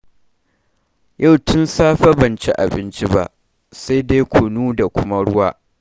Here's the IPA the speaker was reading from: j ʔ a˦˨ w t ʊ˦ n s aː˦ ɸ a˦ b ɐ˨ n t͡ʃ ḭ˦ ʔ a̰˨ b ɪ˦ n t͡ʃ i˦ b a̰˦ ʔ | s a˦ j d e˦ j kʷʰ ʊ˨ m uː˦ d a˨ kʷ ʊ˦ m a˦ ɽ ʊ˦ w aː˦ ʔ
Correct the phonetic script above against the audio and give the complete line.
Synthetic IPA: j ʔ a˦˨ w t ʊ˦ n s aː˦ ɸ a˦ b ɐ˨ n t͡ʃ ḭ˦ ʔ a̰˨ b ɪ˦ n t͡ʃ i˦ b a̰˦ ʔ | s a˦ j d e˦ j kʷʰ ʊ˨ n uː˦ d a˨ kʷ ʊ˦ m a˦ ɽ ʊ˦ w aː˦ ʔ

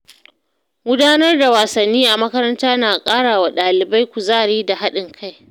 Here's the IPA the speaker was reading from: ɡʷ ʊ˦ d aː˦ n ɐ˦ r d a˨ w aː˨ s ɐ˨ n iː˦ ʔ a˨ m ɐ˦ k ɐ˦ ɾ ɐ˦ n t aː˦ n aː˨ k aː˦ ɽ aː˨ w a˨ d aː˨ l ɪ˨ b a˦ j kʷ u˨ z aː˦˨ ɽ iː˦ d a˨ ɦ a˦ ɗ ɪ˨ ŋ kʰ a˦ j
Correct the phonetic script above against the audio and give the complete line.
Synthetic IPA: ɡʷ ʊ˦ d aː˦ n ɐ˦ r d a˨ w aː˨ s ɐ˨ nː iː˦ ʔ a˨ m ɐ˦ k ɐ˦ ɾ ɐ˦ n t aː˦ n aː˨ kʼ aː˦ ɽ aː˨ w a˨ ɗ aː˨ l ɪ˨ b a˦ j kʷ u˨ z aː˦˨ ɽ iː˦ d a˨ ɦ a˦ ɗ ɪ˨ ŋ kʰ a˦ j

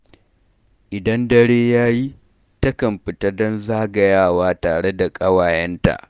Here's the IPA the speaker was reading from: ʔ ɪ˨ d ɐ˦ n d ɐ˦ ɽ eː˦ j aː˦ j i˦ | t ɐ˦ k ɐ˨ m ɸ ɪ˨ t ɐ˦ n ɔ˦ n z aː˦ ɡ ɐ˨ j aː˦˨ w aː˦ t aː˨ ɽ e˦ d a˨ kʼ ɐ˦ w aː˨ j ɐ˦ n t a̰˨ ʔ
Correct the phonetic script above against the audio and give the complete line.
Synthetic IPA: ʔ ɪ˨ d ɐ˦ n d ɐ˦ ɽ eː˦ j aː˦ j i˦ | t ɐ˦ k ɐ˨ m ɸ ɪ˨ t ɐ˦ d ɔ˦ n z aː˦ ɡ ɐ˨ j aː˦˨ w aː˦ t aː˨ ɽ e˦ d a˨ kʼ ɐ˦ w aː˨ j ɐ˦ n t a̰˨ ʔ

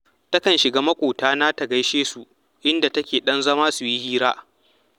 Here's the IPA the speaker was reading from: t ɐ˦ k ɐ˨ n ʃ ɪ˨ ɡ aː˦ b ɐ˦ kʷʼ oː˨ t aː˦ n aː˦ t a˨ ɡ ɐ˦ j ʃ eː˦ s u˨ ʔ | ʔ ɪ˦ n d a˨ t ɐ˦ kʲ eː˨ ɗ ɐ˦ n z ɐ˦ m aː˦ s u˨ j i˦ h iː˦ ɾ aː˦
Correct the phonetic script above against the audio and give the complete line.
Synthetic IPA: t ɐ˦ k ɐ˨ n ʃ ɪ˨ ɡ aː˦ m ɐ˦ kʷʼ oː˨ t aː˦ n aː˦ t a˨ ɡ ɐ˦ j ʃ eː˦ s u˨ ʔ | ʔ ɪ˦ n d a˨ t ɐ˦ kʲ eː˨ ɗ ɐ˦ n z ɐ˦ m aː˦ s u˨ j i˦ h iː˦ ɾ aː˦

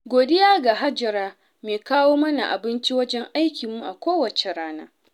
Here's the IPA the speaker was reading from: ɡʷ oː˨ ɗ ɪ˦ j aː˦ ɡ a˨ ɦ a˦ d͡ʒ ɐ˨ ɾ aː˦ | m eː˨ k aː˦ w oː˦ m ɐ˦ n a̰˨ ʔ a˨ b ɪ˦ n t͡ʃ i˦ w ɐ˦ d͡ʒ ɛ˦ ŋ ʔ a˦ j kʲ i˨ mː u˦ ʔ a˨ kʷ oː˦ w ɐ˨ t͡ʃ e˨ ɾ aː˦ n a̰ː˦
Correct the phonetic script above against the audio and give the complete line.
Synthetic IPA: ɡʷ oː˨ d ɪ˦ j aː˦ ɡ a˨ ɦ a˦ d͡ʒ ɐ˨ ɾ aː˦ | m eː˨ k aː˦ w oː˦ m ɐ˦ n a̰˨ ʔ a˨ b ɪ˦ n t͡ʃ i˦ w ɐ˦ d͡ʒ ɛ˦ ŋ ʔ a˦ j kʲ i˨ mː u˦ ʔ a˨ kʷ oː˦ w ɐ˨ t͡ʃ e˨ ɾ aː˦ n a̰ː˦

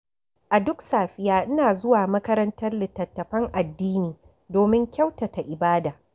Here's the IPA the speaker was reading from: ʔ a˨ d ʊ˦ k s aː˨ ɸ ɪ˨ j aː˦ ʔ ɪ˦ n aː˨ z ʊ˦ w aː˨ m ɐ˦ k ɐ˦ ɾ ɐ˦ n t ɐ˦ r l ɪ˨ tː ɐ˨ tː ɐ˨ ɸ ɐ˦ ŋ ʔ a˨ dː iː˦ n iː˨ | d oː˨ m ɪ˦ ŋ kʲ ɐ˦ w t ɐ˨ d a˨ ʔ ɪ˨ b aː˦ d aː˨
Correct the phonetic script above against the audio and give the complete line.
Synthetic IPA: ʔ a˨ d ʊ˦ k s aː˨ ɸ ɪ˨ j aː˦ ʔ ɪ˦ n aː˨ z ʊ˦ w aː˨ m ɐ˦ k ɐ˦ ɾ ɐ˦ n t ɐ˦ r l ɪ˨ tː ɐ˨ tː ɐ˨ ɸ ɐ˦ ŋ ʔ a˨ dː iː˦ n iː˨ | d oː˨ m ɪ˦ ŋ kʲ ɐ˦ w t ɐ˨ t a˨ ʔ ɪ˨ b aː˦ d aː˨

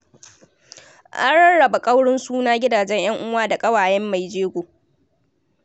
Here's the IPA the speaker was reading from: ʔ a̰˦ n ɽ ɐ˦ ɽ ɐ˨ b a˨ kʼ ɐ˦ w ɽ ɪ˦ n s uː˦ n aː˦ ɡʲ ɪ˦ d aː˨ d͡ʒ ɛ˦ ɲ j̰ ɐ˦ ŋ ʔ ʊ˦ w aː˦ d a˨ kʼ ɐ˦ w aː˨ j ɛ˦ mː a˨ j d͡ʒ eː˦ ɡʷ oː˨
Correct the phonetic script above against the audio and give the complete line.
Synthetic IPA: ʔ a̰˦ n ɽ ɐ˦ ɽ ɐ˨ b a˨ kʼ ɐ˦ w ɽ ɪ˦ n s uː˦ n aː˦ ɡʲ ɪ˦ d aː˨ d͡ʒ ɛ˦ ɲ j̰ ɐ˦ ŋ ʔ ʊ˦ w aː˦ d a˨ kʼ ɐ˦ w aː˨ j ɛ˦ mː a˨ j d͡ʒ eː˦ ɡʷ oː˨

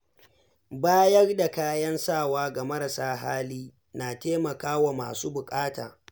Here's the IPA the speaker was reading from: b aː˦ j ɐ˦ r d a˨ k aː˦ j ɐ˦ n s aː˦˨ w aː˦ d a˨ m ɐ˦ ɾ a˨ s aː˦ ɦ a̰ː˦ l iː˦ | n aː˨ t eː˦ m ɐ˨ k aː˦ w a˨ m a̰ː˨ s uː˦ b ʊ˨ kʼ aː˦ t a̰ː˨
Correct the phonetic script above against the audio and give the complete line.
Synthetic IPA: b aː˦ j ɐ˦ r d a˨ k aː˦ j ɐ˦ n s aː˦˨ w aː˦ ɡ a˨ m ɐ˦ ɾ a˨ s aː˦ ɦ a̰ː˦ l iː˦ | n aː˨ t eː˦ m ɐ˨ k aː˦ w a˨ m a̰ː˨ s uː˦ b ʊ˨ kʼ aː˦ t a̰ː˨

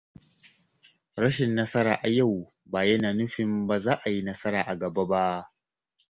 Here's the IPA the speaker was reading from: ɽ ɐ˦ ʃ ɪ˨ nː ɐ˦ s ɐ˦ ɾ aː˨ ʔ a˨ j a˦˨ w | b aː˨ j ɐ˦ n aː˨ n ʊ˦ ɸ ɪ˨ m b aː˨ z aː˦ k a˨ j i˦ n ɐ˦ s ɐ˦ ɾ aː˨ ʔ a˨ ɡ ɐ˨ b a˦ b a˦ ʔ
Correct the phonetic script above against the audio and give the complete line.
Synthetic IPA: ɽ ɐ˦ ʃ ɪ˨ nː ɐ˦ s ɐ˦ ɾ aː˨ ʔ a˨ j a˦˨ w | b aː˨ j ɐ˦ n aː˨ n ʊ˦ ɸ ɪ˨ m b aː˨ z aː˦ ʔ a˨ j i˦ n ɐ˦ s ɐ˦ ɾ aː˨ ʔ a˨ ɡ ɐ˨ b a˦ b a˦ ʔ

